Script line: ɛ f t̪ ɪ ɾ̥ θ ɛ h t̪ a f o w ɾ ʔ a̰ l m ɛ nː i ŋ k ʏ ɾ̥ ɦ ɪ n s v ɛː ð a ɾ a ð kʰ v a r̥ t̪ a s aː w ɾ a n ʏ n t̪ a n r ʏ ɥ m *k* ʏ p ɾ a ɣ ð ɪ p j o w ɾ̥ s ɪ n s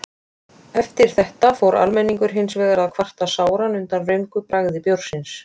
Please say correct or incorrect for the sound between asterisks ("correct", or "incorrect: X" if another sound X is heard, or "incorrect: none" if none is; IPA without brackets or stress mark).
correct